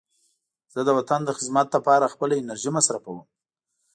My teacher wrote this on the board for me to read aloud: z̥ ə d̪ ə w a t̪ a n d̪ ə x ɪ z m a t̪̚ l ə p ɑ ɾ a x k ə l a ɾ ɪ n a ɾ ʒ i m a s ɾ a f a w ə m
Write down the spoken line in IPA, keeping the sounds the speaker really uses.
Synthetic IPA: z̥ ə d̪ ə w a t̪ a n d̪ ə x ɪ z m a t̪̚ l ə p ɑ ɾ a x p ə l a ɪ n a ɾ ʒ i m a s ɾ a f a w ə m